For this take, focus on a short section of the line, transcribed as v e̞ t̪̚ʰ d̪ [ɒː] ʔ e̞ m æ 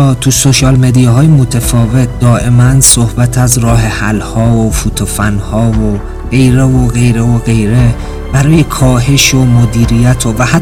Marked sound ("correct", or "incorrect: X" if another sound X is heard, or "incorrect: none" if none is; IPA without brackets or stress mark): correct